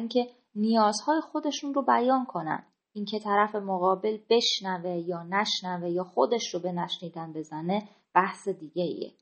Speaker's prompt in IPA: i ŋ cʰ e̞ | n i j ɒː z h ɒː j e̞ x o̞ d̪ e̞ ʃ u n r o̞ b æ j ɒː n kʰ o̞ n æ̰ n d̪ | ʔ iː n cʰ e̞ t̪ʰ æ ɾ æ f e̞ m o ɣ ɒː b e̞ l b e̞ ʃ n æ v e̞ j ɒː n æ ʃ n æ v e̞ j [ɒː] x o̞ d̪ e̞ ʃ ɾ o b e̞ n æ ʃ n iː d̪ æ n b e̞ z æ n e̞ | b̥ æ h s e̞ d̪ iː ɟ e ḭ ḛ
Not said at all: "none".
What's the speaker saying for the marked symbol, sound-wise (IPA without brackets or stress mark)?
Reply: ɒː